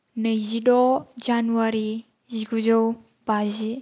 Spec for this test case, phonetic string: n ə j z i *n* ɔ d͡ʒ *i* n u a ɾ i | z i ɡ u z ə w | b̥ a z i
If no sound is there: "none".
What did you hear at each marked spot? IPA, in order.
d, a

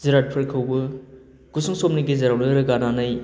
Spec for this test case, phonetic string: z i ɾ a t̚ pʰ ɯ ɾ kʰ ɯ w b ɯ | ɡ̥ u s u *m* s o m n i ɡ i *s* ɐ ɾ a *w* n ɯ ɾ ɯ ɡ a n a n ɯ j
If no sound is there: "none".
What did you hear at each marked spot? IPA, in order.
ŋ, z, w

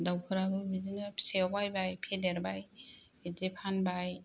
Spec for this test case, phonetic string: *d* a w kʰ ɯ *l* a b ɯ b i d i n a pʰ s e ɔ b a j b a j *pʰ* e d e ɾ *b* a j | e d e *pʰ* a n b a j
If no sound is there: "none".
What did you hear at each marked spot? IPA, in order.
d, ɾ, pʰ, b, pʰ

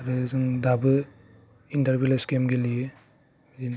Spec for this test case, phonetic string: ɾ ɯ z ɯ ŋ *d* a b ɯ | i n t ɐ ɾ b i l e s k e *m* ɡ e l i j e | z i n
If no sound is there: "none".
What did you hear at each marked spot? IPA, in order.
d, m

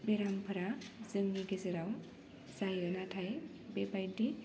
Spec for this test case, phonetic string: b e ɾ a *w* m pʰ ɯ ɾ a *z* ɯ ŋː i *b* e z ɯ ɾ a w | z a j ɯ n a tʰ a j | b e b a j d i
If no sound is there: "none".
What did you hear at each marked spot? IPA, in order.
none, z, ɡ

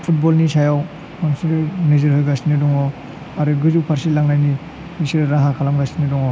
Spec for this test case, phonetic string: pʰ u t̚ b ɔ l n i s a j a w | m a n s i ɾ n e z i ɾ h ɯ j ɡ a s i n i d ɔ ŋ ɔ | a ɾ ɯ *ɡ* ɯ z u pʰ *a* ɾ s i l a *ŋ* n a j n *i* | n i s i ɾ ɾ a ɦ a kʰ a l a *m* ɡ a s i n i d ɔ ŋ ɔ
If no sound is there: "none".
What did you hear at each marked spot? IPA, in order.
ɡ, a, ŋ, i, m

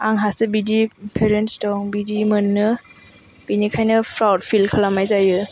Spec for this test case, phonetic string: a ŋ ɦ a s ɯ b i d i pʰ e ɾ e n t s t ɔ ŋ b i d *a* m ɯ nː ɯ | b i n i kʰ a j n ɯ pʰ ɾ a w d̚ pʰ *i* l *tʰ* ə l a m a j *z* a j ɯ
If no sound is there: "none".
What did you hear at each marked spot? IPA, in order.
i, i, kʰ, z

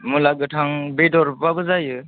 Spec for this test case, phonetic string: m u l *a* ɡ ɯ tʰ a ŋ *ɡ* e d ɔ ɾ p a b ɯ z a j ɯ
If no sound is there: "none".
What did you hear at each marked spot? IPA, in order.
a, b

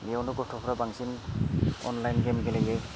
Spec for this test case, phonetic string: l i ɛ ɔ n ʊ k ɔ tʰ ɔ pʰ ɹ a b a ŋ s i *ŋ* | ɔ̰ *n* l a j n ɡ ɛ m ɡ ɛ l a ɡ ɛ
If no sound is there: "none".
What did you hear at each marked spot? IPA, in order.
n, n

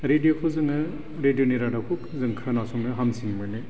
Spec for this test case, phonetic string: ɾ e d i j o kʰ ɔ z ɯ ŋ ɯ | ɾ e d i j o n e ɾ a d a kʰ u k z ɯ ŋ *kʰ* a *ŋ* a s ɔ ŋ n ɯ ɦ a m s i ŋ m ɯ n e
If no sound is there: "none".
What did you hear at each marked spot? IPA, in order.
kʰ, n

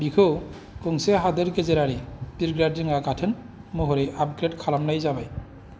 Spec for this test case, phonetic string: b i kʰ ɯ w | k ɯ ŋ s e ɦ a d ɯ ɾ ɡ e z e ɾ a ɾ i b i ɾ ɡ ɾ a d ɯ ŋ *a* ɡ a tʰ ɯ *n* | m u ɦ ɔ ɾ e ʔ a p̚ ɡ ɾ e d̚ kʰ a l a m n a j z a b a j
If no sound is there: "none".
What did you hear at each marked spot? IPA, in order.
a, n

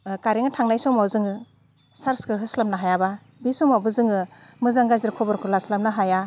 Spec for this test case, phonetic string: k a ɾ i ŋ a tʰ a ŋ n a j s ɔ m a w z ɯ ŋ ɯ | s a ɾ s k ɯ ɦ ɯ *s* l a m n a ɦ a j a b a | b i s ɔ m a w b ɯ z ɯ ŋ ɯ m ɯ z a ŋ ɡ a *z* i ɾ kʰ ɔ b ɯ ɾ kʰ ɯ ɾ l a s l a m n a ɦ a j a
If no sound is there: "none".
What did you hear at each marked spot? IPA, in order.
s, z

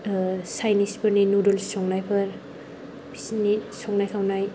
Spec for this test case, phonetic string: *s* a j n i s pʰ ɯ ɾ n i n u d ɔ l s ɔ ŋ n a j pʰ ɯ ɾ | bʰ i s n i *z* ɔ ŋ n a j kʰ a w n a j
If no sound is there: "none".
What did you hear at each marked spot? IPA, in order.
s, s

